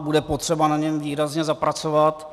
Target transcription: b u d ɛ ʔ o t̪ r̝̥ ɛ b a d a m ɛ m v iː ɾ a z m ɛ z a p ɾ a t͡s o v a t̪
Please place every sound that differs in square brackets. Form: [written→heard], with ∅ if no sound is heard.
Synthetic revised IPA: b u d ɛ [ʔ→p] o t̪ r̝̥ ɛ b a [d→n] a [m→ɲ] ɛ m v iː ɾ a z [m→ɲ] ɛ z a p ɾ a t͡s o v a t̪